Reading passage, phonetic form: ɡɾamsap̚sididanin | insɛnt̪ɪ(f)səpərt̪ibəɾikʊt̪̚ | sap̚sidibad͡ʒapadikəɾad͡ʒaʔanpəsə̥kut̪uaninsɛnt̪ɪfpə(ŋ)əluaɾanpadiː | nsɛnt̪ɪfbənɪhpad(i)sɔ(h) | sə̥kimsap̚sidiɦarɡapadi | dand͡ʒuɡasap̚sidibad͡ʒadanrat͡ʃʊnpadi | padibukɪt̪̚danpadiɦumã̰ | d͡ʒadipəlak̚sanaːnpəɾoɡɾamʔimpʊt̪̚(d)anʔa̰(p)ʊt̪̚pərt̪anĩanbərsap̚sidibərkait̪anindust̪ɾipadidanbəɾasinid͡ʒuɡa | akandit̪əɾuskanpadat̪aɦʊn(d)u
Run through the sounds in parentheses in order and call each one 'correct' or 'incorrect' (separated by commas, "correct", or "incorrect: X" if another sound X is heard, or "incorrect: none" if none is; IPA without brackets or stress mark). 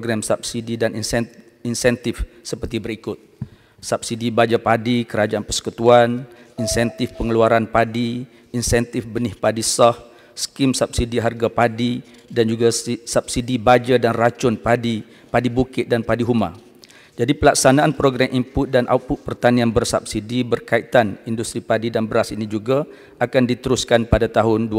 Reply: correct, correct, correct, correct, correct, correct, correct